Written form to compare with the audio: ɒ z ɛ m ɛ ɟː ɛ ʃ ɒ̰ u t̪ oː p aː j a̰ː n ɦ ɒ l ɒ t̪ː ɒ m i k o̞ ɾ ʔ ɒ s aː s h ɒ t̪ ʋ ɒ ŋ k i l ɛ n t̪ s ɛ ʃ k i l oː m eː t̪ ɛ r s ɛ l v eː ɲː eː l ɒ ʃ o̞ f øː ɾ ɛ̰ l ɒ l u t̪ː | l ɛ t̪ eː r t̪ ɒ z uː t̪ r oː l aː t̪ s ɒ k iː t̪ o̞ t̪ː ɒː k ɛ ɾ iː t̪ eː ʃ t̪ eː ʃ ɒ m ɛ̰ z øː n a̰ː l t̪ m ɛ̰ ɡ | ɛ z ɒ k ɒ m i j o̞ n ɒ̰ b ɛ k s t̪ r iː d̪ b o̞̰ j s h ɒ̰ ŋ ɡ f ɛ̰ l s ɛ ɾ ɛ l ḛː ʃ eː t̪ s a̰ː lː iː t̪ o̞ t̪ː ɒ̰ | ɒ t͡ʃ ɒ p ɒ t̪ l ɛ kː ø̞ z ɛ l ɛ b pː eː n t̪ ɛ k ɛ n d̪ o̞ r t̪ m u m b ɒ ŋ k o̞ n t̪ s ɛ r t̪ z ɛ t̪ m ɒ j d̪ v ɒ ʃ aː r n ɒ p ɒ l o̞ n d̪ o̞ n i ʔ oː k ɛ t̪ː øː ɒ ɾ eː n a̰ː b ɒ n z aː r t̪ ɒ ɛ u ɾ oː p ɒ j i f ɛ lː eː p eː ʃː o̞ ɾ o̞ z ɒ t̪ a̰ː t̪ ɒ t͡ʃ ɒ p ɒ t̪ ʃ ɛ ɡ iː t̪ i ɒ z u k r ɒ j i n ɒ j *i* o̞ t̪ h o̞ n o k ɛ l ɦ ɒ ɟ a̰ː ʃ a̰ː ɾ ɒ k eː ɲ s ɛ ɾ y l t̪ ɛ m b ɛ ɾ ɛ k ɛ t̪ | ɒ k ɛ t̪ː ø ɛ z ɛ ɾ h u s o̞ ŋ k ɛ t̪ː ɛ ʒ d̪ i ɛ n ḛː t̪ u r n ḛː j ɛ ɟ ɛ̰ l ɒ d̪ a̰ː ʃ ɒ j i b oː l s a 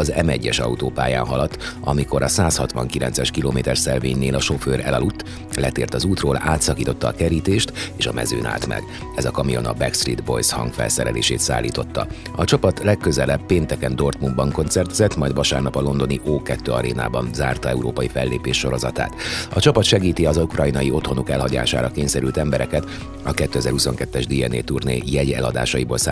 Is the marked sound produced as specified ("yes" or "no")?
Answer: yes